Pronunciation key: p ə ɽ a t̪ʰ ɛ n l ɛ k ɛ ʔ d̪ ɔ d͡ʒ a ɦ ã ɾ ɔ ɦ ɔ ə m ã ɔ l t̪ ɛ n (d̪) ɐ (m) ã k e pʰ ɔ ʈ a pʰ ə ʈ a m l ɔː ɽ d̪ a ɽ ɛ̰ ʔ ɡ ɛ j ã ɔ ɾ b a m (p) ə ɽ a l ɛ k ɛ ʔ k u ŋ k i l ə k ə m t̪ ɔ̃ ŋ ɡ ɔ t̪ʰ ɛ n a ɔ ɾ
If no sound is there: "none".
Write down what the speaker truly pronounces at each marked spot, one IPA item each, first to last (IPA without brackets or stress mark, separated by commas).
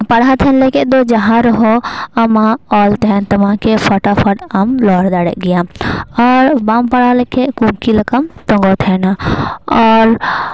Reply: t̪, m, p